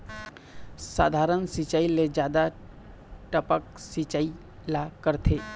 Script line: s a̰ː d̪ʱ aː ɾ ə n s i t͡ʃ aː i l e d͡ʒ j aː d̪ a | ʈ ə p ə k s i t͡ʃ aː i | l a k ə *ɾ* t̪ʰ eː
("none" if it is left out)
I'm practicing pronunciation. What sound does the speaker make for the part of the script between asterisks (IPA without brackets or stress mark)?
ɾ